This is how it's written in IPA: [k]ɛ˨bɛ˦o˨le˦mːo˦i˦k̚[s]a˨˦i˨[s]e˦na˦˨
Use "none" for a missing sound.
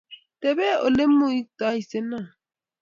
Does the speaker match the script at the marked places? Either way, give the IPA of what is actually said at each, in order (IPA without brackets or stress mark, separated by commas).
t, t, s